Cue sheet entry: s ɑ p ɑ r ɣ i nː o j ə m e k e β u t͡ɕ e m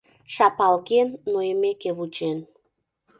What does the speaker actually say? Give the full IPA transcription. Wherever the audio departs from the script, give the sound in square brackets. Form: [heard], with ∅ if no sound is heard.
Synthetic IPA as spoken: [ʃ] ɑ p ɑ [l] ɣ [e] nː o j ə m e k e β u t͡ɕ e [n]